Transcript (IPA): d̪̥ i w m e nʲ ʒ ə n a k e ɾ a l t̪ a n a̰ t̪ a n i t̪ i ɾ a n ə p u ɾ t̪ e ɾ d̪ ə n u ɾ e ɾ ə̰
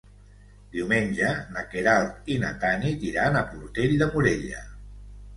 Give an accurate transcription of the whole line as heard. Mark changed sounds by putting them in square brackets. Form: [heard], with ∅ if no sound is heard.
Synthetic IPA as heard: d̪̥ i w m e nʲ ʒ ə n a k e ɾ a l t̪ [i] n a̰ t̪ a n i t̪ i ɾ a n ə p u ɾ t̪ e [ʎ] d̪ ə [m] u ɾ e [ʎ] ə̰

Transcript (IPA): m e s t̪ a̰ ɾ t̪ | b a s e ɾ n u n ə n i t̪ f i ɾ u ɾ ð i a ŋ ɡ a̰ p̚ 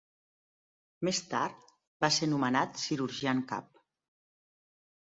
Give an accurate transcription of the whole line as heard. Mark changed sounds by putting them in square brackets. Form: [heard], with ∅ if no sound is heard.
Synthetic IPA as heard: m e s t̪ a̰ ɾ t̪ | b a s e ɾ n u [m] ə n [a] t̪ [s] i ɾ u ɾ [ʒ] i a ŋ [k] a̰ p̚

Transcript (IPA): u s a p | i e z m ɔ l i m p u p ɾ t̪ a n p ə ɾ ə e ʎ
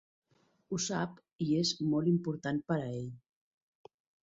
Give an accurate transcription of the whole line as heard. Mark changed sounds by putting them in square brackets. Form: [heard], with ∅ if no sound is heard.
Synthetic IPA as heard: u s a p | i e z m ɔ l i m p u [∅] ɾ t̪ a n p ə ɾ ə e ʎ

